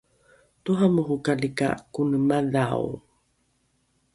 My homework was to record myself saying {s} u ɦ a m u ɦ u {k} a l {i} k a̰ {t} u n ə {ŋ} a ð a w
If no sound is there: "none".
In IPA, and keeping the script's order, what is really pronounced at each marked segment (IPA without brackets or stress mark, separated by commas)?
t, k, i, k, m